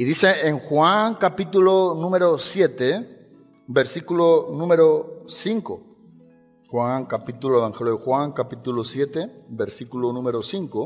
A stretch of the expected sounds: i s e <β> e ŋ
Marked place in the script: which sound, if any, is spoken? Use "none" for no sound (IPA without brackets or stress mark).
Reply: none